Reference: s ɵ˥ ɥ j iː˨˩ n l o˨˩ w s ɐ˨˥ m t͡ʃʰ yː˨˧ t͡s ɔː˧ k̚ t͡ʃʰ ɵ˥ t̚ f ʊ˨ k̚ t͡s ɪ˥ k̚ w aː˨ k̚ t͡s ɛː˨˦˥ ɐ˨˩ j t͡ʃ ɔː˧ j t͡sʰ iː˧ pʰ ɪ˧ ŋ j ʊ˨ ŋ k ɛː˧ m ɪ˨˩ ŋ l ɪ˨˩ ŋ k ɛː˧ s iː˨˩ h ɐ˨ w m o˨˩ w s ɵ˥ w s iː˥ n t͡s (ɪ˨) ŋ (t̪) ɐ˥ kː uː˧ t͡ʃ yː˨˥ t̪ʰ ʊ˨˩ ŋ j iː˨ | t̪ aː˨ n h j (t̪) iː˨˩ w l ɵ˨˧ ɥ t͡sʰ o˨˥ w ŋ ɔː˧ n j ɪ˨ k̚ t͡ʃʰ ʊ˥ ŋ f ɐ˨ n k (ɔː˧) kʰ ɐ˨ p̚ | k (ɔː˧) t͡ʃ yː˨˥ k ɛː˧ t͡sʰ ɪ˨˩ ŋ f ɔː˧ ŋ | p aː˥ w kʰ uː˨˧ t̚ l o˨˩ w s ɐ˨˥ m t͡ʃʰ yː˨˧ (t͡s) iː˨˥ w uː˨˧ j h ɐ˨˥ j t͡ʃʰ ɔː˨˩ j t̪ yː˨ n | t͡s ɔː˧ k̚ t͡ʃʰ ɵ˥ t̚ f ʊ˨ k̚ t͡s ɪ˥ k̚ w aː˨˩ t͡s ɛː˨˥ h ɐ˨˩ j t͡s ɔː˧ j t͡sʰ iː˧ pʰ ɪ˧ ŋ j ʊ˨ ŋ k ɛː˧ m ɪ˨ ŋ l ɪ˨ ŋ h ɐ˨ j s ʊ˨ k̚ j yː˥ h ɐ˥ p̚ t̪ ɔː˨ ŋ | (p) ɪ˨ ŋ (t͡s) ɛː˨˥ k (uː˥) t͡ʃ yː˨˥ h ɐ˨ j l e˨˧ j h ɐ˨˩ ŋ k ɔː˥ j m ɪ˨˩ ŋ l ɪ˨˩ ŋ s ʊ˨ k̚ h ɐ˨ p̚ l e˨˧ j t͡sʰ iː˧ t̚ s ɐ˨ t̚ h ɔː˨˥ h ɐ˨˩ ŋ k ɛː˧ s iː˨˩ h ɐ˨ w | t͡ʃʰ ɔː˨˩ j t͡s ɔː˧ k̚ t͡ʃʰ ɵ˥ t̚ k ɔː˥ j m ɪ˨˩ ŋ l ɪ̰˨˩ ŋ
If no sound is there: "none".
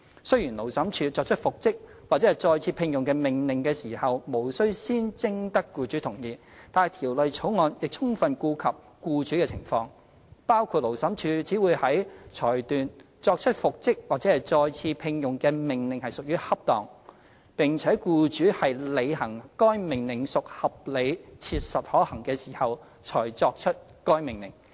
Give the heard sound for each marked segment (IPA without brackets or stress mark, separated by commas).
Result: ɪ˥, t̪, t̪ʰ, uː˧, uː˧, t͡s, p, t͡sʰ, uː˧